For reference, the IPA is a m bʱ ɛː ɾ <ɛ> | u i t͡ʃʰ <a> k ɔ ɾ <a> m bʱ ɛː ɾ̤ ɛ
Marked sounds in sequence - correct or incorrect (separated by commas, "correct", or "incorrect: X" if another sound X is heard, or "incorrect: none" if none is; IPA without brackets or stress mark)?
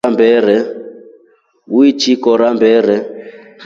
correct, incorrect: i, correct